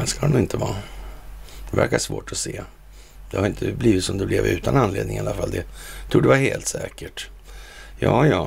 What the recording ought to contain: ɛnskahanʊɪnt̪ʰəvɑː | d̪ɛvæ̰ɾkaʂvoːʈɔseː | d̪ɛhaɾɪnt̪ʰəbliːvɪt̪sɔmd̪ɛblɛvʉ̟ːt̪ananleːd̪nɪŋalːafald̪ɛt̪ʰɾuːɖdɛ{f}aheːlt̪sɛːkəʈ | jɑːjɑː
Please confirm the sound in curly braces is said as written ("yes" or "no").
no